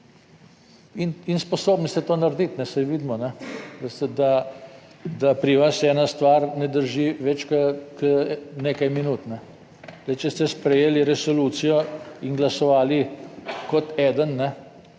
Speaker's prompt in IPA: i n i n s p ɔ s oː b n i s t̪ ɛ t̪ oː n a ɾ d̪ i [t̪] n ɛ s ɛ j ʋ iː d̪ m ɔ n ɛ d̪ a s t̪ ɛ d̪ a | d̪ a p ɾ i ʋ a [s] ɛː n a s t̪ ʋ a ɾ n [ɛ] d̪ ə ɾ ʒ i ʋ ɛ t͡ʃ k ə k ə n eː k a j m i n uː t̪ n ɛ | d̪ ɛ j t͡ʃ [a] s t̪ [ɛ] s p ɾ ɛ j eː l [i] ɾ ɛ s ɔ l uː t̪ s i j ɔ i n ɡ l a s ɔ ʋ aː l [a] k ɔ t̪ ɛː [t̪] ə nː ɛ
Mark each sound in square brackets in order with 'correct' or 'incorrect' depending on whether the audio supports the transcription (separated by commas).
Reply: correct, correct, correct, incorrect, correct, correct, incorrect, incorrect